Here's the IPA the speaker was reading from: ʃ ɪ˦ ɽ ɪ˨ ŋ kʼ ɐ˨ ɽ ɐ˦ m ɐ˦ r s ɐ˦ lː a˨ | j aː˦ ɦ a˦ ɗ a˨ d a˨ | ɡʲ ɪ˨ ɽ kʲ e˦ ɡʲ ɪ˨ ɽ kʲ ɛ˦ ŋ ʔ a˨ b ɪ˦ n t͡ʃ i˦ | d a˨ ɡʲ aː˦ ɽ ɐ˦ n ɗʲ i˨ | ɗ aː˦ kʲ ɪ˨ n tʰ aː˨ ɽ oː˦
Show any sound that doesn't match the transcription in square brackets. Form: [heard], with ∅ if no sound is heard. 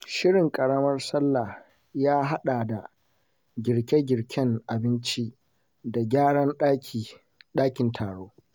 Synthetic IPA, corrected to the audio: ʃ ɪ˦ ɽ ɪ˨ ŋ kʼ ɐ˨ ɽ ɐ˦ m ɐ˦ r s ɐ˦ lː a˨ | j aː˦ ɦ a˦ ɗ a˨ d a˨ | ɡʲ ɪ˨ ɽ kʲ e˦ ɡʲ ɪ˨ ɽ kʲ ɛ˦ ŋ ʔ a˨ b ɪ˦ n t͡ʃ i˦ | d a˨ ɡʲ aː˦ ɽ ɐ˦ n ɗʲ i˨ | ɗ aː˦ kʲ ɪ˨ n tʰ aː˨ ɽ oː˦